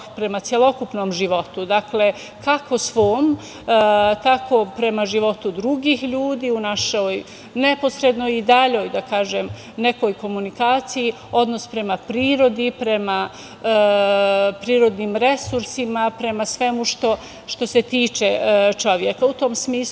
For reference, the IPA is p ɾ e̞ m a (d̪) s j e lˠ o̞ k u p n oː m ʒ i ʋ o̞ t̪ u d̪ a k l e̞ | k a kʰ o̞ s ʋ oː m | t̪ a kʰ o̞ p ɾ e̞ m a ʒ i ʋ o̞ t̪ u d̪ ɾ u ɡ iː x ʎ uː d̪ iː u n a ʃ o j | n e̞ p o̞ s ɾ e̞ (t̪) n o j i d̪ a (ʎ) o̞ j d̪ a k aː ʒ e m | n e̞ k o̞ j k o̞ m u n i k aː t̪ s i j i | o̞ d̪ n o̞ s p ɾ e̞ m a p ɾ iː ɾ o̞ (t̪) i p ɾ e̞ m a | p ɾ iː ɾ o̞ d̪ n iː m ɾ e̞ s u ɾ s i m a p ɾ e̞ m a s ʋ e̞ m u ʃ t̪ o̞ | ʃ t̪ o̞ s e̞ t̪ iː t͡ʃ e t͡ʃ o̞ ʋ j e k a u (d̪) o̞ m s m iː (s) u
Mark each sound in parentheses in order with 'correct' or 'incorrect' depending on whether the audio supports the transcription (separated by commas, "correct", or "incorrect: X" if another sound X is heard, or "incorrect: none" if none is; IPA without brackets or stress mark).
incorrect: t̪, incorrect: d̪, correct, incorrect: d̪, incorrect: t̪, correct